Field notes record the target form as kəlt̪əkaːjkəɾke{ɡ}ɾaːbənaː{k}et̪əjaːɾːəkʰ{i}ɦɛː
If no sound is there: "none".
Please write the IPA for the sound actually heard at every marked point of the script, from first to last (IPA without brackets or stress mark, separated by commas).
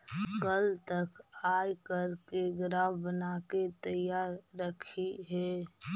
ɡ, k, i